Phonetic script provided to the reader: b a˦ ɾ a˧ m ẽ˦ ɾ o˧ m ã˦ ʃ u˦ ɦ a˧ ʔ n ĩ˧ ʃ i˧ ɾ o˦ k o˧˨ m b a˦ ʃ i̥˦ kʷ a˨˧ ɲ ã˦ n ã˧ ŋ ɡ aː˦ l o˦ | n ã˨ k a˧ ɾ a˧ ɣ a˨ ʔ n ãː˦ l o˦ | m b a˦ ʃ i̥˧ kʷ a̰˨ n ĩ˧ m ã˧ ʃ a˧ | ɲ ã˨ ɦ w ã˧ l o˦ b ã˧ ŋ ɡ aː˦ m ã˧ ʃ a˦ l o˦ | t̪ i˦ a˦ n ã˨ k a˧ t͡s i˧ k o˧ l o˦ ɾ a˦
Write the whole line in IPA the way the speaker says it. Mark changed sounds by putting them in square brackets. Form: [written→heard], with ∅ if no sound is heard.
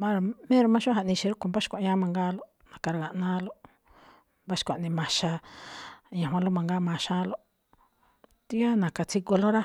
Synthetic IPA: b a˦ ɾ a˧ m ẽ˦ ɾ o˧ m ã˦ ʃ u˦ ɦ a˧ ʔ n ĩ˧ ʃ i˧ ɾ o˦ k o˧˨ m b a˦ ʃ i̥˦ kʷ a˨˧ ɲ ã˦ [n→m] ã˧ ŋ ɡ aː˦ l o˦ | n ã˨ k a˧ ɾ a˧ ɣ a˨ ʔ n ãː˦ l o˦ | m b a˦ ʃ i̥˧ kʷ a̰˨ n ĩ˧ m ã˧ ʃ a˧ | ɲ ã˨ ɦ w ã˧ l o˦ [b→m] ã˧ ŋ ɡ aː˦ m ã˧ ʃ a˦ l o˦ | t̪ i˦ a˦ n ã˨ k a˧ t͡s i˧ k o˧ l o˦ ɾ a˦